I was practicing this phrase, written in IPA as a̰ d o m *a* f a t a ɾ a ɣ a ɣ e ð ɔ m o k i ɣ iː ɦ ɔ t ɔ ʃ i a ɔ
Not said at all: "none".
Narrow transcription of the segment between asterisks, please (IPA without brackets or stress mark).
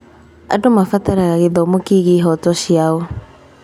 a